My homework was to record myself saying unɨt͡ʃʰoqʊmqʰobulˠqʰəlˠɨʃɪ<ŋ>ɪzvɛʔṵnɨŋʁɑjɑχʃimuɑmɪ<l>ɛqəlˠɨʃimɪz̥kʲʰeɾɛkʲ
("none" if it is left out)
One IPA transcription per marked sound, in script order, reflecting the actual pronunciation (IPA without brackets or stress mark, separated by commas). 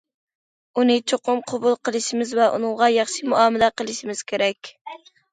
m, l